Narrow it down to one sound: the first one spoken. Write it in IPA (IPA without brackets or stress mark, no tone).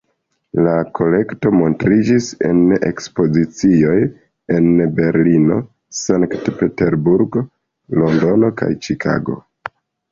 l